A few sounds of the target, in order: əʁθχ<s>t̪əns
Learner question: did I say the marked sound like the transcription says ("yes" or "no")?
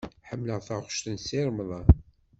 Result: no